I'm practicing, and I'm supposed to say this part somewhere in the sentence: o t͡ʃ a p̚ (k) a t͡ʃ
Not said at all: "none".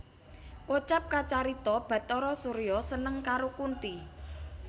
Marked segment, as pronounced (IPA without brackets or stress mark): k